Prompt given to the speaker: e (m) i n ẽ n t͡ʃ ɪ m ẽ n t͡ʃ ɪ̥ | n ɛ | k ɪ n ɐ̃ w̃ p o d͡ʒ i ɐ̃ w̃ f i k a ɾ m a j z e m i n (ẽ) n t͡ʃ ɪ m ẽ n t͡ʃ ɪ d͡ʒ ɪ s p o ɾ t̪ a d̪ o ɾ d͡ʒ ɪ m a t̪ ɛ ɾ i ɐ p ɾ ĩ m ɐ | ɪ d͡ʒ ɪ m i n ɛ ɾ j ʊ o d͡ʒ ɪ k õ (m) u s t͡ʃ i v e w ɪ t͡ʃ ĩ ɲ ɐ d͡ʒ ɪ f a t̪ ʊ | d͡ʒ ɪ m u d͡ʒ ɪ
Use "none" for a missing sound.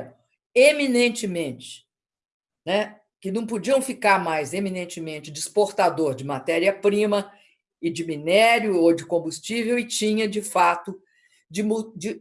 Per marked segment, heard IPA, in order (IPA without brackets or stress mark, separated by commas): m, ẽ, b